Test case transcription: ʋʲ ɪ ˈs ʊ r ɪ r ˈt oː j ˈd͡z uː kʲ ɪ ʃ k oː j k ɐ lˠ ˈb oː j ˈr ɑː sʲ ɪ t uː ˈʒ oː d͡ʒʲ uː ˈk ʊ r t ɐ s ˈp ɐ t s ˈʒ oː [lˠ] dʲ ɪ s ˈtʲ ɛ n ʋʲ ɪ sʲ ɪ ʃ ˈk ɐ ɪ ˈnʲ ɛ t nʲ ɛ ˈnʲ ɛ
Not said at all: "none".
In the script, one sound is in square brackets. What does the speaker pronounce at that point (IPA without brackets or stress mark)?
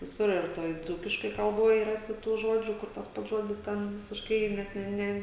none